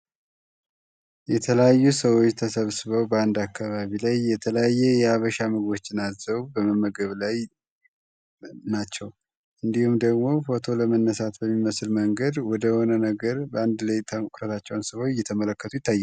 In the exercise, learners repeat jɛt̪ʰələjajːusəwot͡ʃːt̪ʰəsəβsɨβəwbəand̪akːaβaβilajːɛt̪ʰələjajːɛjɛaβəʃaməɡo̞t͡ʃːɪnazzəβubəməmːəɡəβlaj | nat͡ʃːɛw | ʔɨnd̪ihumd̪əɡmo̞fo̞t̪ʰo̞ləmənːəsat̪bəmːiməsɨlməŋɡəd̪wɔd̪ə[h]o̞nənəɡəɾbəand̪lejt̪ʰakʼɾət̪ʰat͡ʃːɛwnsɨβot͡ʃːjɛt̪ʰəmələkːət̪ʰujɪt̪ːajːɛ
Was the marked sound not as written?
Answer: no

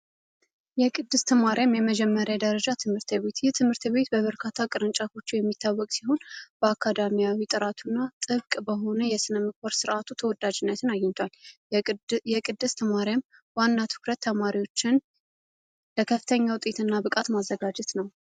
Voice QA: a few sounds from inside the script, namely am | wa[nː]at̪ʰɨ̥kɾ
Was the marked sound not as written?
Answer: no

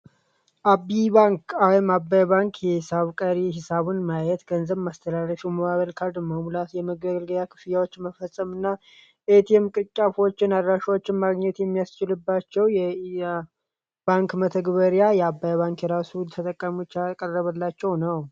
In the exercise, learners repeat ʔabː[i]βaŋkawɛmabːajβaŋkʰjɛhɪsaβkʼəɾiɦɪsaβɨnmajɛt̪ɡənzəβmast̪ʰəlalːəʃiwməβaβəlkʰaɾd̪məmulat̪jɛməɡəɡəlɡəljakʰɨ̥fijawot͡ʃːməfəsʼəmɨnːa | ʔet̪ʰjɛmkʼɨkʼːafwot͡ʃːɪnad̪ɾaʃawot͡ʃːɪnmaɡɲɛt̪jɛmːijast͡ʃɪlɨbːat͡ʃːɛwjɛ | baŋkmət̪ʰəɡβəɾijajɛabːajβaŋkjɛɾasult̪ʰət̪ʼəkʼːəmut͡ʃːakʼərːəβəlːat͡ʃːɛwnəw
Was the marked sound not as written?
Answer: no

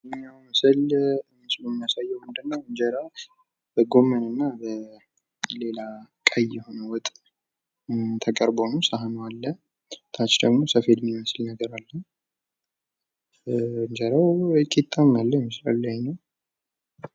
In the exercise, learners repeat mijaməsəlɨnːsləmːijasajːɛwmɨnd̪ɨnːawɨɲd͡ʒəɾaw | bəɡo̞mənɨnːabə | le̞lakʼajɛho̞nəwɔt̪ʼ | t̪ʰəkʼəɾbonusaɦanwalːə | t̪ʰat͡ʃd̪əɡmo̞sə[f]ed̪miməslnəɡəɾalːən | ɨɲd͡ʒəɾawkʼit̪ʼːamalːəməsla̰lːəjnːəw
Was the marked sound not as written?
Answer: no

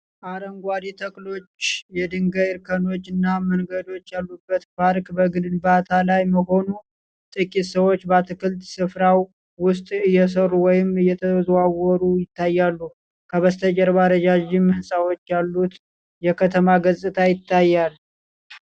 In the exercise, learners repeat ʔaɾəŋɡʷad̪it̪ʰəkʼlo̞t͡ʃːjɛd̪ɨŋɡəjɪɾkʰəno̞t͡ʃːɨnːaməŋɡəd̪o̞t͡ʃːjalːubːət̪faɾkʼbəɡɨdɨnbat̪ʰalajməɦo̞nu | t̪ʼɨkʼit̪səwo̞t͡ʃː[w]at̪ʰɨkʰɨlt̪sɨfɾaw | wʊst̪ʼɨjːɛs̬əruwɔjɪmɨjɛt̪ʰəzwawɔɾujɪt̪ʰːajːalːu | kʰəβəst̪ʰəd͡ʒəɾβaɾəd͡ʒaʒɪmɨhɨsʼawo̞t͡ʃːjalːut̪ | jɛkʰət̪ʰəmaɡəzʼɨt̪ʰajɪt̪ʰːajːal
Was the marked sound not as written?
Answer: yes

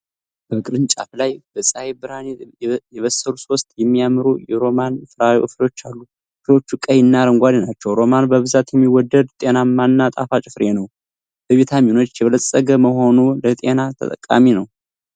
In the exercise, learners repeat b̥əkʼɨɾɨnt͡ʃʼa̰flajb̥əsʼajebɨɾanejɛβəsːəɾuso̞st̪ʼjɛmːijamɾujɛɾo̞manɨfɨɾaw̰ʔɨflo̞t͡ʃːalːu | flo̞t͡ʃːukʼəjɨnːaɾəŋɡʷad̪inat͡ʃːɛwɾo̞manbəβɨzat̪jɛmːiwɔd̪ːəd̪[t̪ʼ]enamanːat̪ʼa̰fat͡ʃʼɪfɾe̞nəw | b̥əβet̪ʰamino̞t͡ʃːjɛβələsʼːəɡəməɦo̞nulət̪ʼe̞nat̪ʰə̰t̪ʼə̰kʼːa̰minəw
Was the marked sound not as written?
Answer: no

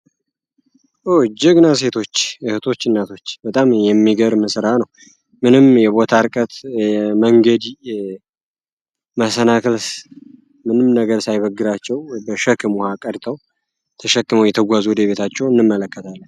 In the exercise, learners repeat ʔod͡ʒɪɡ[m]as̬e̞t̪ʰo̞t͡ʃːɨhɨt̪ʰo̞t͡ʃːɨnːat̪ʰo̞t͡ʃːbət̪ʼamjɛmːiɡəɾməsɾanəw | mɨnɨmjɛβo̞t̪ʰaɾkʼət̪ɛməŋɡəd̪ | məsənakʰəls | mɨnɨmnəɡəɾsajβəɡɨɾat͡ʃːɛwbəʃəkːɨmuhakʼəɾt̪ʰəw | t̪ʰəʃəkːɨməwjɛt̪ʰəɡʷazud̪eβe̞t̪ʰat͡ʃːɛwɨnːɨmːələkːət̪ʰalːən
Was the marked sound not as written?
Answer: yes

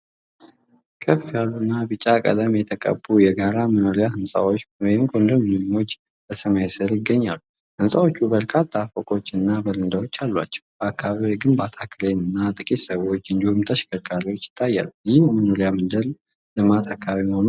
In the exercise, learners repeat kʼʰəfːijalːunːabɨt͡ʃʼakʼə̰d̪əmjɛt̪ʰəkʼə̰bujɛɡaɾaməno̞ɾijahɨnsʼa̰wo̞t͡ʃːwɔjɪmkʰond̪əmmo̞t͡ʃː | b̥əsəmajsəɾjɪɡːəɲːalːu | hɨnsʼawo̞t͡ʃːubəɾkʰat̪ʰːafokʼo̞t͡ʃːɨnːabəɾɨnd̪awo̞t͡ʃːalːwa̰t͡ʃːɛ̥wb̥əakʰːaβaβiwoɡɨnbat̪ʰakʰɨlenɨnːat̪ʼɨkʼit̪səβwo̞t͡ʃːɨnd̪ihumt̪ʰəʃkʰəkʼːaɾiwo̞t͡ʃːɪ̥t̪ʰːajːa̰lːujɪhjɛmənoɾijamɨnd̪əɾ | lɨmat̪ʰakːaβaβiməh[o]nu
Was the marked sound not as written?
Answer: no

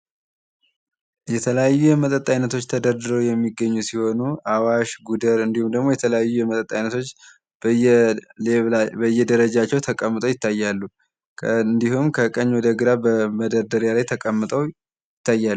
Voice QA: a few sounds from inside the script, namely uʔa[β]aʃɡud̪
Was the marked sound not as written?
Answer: yes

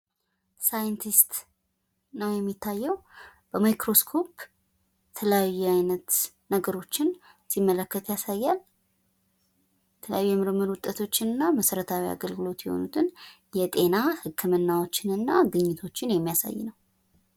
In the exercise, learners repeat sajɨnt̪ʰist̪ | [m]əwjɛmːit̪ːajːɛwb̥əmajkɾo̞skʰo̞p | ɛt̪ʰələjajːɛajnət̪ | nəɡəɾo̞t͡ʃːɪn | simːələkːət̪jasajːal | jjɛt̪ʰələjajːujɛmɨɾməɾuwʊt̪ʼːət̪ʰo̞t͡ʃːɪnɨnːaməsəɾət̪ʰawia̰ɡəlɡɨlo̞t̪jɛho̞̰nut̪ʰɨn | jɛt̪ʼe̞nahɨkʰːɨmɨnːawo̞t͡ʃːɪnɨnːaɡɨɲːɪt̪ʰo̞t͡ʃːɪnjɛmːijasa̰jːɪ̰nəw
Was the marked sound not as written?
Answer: yes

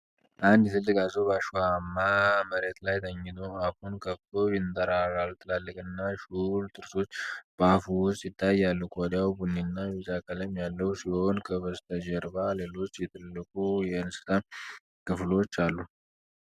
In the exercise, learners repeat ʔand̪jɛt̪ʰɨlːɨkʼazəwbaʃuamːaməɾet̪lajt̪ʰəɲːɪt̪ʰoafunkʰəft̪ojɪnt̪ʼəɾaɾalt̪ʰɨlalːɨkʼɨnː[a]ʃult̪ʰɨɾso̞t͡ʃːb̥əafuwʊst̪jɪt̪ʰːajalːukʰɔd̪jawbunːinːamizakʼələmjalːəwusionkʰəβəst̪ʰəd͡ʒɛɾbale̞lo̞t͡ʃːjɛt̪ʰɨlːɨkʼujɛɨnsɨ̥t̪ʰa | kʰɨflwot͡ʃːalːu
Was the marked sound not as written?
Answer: no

